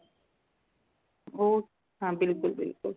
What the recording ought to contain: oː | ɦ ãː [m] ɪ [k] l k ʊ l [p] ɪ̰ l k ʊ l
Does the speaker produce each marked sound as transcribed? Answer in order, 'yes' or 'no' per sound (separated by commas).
no, no, no